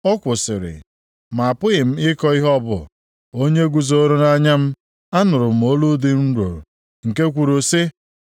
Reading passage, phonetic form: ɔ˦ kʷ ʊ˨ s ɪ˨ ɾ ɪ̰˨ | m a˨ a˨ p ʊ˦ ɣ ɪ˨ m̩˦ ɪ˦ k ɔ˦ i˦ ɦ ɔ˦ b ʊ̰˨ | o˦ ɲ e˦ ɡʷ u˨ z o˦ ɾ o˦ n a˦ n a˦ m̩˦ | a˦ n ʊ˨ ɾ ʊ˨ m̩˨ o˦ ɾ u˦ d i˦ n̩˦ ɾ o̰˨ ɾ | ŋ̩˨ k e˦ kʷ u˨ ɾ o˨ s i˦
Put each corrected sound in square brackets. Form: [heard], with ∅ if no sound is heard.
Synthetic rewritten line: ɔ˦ kʷ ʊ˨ s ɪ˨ ɾ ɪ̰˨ | m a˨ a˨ p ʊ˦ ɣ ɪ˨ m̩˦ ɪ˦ k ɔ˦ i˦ ɦ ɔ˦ b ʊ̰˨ | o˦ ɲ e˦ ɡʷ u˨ z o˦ ɾ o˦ n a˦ [ɲ] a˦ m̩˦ | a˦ n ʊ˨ ɾ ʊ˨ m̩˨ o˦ [l] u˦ d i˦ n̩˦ ɾ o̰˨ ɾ | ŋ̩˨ k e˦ kʷ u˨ ɾ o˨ s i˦